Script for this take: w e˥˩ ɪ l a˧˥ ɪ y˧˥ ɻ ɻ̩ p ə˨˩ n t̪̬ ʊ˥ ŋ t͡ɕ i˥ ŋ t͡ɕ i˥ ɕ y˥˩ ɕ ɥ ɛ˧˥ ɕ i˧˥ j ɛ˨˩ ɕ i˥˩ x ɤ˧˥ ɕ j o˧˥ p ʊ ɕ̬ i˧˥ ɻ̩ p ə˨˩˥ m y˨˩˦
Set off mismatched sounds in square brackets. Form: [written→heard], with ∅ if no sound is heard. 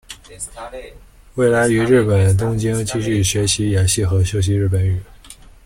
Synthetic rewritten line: w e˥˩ ɪ l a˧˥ ɪ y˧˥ ɻ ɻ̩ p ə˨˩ n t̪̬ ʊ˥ ŋ t͡ɕ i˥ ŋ t͡ɕ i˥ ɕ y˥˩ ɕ ɥ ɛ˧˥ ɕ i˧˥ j [ɛ˨˩→a˨˩] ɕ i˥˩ x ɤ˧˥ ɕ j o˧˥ [p→∅] ʊ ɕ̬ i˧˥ ɻ̩ p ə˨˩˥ [m→n] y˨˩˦